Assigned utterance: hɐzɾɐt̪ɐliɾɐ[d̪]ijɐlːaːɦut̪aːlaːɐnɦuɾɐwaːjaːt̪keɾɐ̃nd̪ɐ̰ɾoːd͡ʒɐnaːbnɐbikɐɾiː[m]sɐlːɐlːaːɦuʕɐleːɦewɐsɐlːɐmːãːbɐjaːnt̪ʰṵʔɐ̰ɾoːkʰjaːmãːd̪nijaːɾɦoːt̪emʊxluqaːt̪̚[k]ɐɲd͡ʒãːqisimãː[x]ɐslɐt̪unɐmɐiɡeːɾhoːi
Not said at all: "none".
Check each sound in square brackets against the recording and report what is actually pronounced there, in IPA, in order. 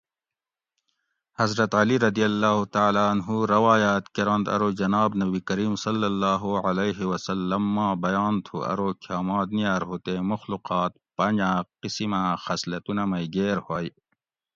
d̪, m, p, x

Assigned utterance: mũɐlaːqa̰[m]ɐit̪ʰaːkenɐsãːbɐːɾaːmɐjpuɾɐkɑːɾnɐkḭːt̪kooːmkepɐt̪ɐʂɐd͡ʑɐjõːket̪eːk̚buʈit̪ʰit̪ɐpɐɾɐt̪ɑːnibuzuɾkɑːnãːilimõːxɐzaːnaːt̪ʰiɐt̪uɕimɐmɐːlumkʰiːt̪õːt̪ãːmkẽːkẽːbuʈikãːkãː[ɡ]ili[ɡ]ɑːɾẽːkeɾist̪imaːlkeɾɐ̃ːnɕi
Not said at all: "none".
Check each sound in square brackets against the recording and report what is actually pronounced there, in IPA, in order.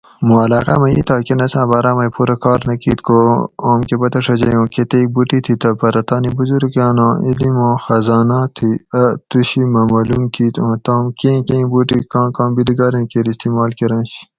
m, b, ɡ

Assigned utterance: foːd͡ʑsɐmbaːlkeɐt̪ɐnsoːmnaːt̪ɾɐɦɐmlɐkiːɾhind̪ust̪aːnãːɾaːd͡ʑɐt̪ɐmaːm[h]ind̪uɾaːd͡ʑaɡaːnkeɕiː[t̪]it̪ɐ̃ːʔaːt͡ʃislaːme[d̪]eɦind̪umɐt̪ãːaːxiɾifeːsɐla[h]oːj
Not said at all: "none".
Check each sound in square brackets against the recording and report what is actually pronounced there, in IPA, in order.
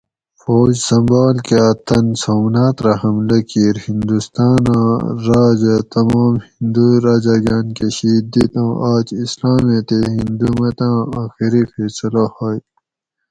h, d̪, t̪, h

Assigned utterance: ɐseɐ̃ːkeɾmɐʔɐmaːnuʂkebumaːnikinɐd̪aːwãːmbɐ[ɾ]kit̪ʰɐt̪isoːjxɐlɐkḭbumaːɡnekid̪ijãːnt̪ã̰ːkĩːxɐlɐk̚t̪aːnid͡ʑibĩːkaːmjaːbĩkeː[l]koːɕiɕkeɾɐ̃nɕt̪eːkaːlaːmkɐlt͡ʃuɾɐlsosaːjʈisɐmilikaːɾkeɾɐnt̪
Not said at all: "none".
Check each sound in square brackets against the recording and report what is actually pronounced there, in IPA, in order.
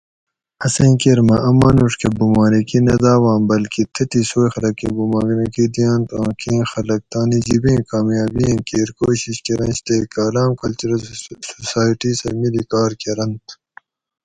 l, ɾ

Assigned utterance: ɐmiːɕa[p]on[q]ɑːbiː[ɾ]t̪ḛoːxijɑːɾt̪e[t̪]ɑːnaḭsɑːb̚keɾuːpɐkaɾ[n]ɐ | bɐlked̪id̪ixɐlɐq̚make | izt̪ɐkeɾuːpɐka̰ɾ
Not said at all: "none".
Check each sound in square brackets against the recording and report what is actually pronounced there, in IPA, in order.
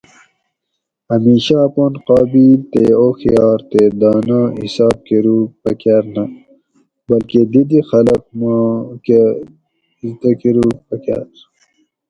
p, q, l, d̪, n

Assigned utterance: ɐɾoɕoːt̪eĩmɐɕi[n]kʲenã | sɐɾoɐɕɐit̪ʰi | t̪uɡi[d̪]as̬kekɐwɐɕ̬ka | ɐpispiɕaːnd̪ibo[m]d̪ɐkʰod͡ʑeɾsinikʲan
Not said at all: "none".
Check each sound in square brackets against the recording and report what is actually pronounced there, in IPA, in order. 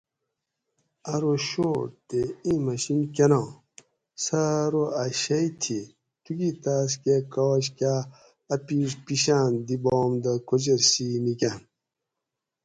n, t̪, m

